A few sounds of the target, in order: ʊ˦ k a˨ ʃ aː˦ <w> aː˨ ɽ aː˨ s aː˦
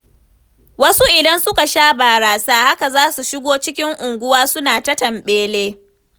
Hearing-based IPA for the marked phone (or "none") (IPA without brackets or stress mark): b